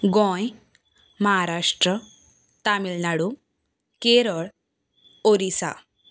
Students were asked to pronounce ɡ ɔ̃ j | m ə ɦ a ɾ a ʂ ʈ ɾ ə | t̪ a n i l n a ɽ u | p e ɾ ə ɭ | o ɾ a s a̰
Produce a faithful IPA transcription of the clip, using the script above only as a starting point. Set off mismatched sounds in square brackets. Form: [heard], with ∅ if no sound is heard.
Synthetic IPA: ɡ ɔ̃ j | m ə ɦ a ɾ a ʂ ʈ ɾ ə | t̪ a [m] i l n a ɽ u | [k] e ɾ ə ɭ | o ɾ [i] s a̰